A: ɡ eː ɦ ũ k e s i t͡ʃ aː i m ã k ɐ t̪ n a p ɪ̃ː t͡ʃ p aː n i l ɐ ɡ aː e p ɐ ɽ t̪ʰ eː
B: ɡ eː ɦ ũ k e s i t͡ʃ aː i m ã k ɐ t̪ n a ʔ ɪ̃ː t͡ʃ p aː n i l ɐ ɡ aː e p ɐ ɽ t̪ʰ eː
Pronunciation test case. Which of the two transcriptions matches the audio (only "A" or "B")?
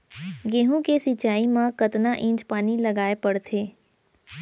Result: B